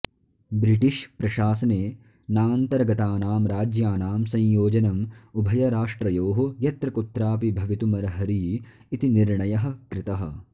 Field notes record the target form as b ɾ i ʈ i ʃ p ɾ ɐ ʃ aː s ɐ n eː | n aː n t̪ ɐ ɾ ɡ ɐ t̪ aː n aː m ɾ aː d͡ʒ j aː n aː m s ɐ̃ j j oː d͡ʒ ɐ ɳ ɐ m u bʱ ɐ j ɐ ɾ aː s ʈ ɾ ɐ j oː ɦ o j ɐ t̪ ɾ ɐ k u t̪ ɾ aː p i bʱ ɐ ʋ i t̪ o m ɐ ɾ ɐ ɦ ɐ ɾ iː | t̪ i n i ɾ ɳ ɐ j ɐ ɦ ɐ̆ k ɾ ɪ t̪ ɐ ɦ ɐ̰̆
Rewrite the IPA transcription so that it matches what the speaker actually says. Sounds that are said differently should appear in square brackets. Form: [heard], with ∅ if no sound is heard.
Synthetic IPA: b ɾ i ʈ i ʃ p ɾ ɐ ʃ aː s ɐ n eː | n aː n t̪ ɐ ɾ ɡ ɐ t̪ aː n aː m ɾ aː d͡ʒ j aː n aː m s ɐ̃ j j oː d͡ʒ ɐ [n] ɐ m u bʱ ɐ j ɐ ɾ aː [ʂ] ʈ ɾ ɐ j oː ɦ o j ɐ t̪ ɾ ɐ k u t̪ ɾ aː p i bʱ ɐ ʋ i t̪ [u] m ɐ ɾ ɐ ɦ ɐ ɾ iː | t̪ i n i ɾ ɳ ɐ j ɐ ɦ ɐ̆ k ɾ ɪ t̪ ɐ ɦ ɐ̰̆

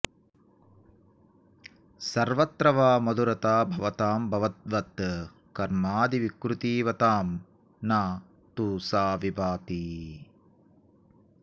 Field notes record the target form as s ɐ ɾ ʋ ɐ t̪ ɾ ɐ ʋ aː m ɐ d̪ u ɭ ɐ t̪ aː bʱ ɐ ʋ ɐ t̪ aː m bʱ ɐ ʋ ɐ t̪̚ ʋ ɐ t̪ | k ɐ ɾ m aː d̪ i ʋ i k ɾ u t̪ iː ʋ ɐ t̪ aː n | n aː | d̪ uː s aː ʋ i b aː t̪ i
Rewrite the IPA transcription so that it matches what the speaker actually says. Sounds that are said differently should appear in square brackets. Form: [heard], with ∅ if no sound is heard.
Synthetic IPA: s ɐ ɾ ʋ ɐ t̪ ɾ ɐ ʋ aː m ɐ d̪ u [ɾ] ɐ t̪ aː bʱ ɐ ʋ ɐ t̪ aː m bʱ ɐ ʋ ɐ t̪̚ ʋ ɐ t̪ | k ɐ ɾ m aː d̪ i ʋ i k ɾ u t̪ iː ʋ ɐ t̪ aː [m] | n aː | [t̪] uː s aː ʋ i b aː t̪ i

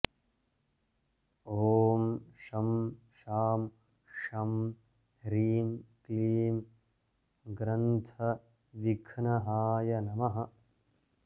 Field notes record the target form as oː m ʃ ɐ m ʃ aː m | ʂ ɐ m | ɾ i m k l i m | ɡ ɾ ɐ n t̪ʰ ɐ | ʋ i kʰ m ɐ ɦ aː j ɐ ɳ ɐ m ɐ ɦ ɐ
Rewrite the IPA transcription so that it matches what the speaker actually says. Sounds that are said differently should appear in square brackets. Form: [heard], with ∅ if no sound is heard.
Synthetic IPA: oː m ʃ ɐ m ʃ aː m | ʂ ɐ m | ɾ [iː] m k l [iː] m | ɡ ɾ ɐ n t̪ʰ ɐ | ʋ i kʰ [n] ɐ ɦ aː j ɐ [n] ɐ m ɐ ɦ ɐ

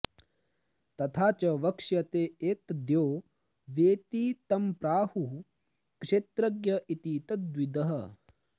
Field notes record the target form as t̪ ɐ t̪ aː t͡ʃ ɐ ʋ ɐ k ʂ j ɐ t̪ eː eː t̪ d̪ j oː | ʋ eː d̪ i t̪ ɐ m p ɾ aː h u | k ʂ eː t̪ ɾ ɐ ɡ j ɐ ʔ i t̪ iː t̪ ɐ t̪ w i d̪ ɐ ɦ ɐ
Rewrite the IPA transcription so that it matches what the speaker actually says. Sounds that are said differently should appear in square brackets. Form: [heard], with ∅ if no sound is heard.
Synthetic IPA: t̪ ɐ [t̪ʰ] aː t͡ʃ ɐ ʋ ɐ k ʂ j ɐ t̪ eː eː t̪ d̪ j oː | ʋ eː [t̪] i t̪ ɐ m p ɾ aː h u | k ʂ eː t̪ ɾ ɐ ɡ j ɐ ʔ i t̪ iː t̪ ɐ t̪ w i d̪ ɐ ɦ ɐ

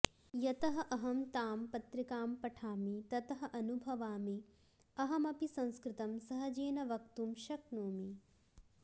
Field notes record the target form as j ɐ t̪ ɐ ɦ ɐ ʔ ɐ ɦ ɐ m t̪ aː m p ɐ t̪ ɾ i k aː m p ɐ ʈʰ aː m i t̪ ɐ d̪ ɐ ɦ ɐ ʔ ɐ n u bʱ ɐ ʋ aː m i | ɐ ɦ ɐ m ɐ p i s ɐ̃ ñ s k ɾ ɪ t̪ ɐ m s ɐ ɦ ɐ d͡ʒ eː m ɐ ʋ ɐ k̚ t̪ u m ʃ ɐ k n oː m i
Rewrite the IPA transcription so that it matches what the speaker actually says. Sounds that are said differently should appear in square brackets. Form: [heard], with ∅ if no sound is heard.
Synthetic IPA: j ɐ t̪ ɐ ɦ ɐ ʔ ɐ ɦ ɐ m t̪ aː m p ɐ t̪ ɾ i k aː m p ɐ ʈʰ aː m i t̪ ɐ [t̪] ɐ ɦ ɐ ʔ ɐ n u bʱ ɐ ʋ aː m i | ɐ ɦ ɐ m ɐ p i s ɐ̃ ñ s k ɾ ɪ t̪ ɐ m s ɐ ɦ ɐ d͡ʒ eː [n] ɐ ʋ ɐ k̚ t̪ u m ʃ ɐ k n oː m i

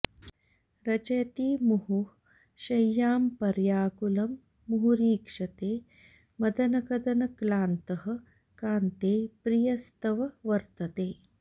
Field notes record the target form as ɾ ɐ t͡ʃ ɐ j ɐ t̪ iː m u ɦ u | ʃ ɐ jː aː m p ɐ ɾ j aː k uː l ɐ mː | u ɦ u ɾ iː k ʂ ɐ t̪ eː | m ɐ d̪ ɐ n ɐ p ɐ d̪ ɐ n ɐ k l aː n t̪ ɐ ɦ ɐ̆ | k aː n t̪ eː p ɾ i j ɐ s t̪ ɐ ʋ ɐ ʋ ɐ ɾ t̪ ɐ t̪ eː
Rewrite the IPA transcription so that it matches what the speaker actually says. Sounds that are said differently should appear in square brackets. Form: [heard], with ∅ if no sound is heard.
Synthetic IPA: ɾ ɐ t͡ʃ ɐ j ɐ t̪ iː m u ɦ u | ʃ ɐ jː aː m p ɐ ɾ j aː k [u] l ɐ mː | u ɦ u ɾ iː k ʂ ɐ t̪ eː | m ɐ d̪ ɐ n ɐ [k] ɐ d̪ ɐ n ɐ k l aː n t̪ ɐ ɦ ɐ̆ | k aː n t̪ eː p ɾ i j ɐ s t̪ ɐ ʋ ɐ ʋ ɐ ɾ t̪ ɐ t̪ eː

